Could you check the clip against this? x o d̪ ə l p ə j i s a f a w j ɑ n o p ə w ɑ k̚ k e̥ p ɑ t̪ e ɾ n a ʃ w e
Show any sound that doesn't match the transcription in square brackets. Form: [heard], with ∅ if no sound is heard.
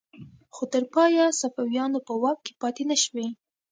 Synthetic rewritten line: x o [t̪] ə [ɾ] p [ɑ] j [a] s a f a w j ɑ n o p ə w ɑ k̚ k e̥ p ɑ t̪ e [∅] n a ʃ w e